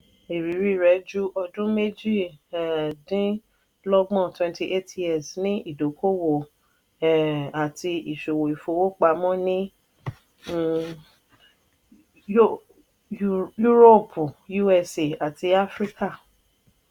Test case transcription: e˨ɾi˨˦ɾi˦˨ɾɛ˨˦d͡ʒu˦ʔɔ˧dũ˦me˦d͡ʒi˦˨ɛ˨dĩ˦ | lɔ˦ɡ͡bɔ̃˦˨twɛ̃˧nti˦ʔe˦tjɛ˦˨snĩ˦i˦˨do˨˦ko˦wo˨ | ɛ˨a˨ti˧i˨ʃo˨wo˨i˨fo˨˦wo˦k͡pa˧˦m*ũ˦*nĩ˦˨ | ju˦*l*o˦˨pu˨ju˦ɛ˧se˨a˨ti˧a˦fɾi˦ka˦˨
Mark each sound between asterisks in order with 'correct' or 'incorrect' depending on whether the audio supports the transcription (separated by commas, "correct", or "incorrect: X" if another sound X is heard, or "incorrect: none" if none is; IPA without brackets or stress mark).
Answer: incorrect: ɔ̃˦, incorrect: ɾ